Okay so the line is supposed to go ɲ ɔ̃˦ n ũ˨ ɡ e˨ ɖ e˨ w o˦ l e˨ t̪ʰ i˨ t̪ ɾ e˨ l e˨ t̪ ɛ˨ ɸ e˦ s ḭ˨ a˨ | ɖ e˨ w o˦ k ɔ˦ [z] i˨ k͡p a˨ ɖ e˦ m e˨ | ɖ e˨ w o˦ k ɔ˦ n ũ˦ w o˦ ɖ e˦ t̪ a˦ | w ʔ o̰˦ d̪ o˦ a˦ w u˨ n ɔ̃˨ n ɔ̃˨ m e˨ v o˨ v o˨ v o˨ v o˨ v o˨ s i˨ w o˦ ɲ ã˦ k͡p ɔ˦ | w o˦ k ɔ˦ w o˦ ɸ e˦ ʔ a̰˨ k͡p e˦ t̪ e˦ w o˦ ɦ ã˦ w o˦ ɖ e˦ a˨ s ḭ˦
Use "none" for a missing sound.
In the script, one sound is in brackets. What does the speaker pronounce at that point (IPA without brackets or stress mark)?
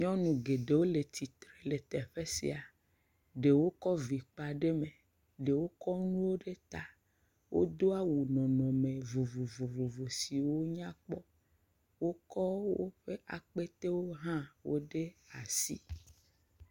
v